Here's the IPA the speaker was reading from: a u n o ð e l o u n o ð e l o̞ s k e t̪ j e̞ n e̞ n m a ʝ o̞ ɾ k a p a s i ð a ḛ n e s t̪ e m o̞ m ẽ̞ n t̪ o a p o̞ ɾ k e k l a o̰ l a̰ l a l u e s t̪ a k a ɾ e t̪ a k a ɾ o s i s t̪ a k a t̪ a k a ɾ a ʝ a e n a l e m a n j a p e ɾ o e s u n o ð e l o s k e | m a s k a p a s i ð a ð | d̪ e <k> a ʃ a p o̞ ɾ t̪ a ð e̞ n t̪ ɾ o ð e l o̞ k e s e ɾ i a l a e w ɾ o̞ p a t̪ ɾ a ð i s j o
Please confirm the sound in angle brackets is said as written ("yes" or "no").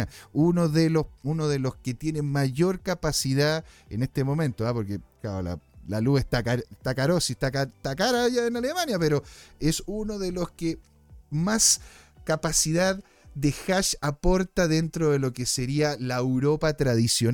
no